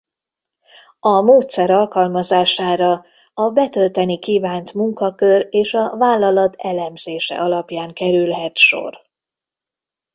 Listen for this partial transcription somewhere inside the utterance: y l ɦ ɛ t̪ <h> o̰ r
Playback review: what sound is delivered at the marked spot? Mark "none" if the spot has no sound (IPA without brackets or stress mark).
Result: ʃ